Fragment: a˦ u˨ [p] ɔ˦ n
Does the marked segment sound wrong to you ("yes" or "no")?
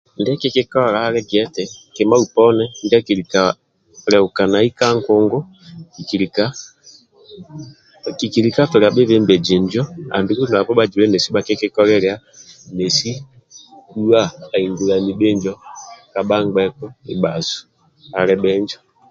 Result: no